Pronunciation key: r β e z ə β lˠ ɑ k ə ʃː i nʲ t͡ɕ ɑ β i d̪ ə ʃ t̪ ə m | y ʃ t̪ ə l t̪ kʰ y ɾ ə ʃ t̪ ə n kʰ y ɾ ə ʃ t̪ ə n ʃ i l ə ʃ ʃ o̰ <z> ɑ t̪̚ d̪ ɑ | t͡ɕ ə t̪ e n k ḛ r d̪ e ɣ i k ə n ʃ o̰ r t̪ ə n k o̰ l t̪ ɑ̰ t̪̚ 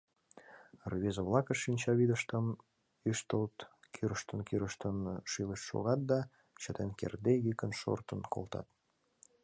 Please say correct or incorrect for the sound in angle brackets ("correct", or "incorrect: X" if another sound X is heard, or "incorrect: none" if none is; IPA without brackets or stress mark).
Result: incorrect: ɣ